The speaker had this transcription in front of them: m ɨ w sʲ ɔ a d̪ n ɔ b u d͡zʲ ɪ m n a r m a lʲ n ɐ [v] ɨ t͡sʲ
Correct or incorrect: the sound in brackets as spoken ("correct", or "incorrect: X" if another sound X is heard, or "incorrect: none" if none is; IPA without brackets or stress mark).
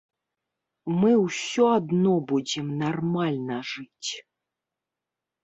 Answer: incorrect: ʐ